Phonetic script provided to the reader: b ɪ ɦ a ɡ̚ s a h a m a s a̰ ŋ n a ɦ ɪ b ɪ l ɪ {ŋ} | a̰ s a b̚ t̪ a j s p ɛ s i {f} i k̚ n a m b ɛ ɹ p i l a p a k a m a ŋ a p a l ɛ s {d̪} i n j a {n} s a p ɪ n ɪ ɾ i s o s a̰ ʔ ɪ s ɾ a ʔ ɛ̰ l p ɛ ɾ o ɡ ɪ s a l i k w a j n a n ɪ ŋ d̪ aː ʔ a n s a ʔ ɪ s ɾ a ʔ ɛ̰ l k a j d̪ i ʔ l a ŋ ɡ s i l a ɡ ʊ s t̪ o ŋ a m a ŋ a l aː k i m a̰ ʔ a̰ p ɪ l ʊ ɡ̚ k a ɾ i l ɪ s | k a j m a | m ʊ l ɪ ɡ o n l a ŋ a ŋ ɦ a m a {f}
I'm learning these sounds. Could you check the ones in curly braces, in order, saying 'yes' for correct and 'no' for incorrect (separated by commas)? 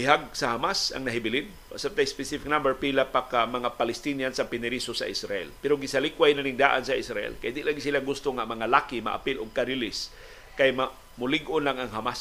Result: no, yes, no, yes, no